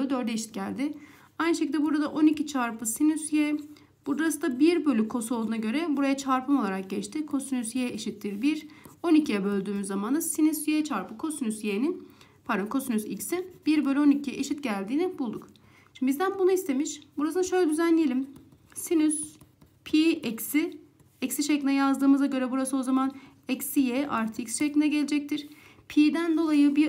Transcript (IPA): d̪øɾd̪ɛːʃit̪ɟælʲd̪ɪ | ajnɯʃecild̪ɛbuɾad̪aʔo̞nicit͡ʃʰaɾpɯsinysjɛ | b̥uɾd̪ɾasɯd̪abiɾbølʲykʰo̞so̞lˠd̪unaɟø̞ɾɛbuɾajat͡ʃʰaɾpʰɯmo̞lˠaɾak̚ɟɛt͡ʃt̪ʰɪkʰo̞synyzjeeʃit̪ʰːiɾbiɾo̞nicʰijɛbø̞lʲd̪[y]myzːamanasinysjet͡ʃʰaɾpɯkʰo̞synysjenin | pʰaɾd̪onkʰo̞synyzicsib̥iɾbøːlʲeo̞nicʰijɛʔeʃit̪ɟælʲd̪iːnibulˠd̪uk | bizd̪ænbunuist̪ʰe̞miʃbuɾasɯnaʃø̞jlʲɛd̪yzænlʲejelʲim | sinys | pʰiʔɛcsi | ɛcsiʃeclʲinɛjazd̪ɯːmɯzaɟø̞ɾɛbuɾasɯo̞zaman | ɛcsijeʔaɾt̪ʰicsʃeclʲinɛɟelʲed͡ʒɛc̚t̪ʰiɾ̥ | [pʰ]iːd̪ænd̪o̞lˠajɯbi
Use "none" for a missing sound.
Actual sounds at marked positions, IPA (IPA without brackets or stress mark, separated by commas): yː, pʰ